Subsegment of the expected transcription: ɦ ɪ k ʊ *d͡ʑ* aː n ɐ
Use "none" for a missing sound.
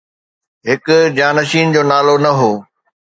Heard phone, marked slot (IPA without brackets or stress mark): d͡ʑ